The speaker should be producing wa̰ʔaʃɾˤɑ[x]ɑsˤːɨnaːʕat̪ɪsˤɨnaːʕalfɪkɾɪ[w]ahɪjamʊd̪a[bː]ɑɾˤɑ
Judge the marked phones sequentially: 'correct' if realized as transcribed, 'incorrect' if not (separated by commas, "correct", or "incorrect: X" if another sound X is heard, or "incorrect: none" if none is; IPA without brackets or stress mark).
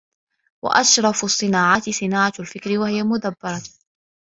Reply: incorrect: f, correct, correct